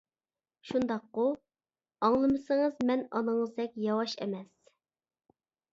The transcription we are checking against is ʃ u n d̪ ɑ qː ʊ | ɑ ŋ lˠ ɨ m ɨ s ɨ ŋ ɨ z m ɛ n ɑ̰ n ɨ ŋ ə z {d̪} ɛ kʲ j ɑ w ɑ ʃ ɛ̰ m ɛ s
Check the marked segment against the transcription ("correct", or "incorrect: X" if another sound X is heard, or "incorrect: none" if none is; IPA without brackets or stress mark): correct